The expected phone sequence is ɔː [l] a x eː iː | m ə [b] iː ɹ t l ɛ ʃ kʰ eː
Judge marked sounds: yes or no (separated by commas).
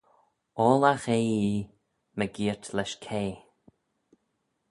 yes, no